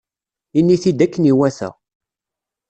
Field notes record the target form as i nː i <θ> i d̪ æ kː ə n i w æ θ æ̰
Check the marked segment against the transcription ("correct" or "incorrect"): correct